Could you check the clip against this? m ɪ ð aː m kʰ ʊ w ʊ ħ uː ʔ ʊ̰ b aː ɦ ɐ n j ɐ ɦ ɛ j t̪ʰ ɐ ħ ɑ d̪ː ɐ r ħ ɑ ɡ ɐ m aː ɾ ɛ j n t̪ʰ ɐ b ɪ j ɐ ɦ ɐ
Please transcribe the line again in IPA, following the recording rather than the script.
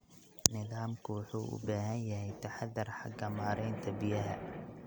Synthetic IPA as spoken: n ɪ ð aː m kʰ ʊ w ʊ ħ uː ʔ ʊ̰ b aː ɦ ɐ n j ɐ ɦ ɛ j t̪ʰ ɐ ħ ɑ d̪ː ɐ r ħ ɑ ɡ ɐ m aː ɾ ɛ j n t̪ʰ ɐ b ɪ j ɐ ɦ ɐ